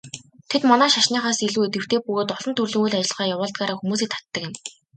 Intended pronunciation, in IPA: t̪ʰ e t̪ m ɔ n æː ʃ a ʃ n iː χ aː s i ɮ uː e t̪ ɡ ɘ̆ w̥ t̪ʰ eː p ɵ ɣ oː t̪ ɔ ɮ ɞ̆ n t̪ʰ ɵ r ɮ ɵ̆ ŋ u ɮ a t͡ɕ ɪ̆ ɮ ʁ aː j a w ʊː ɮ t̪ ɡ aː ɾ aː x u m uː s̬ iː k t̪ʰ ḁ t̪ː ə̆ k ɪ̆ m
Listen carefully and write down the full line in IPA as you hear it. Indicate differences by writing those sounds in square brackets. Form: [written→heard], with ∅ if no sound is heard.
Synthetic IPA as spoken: t̪ʰ e t̪ m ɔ n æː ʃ a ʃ n iː χ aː s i ɮ uː e t̪ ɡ ɘ̆ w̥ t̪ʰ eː p ɵ ɣ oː t̪ ɔ ɮ ɞ̆ n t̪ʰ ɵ r ɮ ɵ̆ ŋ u ɮ a t͡ɕ ɪ̆ ɮ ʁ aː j a w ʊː ɮ t̪ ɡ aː ɾ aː x u m uː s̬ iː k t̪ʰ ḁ t̪ː ə̆ k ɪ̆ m